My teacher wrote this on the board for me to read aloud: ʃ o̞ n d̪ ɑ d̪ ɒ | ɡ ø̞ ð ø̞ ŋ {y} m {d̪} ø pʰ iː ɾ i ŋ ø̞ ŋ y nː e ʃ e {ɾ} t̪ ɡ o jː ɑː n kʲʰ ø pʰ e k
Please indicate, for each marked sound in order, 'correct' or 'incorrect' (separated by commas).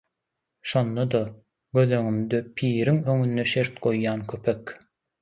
correct, correct, correct